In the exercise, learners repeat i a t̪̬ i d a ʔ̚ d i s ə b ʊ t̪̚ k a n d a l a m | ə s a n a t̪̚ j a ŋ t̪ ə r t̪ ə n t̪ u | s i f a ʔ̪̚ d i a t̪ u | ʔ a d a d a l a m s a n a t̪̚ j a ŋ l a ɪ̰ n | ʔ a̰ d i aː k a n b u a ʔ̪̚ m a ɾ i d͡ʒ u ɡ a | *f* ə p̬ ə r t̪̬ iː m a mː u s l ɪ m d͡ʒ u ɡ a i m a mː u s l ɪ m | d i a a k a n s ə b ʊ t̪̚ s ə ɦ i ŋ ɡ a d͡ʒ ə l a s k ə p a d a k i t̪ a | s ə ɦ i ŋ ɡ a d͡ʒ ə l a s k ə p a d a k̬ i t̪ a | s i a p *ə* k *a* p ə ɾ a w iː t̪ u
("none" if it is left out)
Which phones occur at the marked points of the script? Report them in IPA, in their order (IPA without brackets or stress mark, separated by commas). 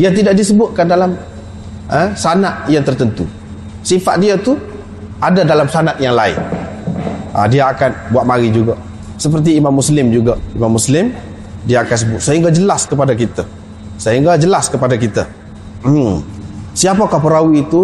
s, a, a